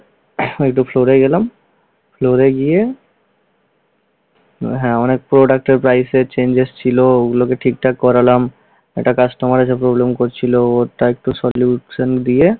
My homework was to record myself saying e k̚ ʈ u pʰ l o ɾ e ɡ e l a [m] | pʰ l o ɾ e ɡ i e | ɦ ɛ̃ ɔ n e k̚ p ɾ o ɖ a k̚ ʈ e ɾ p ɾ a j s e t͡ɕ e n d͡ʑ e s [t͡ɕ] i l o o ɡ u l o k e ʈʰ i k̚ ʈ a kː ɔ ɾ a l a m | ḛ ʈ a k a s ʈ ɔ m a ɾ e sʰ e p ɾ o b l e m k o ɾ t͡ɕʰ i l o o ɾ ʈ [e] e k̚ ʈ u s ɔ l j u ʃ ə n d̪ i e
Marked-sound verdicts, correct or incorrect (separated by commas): correct, incorrect, incorrect